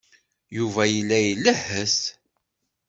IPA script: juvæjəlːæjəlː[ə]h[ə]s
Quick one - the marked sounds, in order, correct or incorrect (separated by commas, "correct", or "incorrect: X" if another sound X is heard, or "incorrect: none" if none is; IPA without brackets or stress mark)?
correct, correct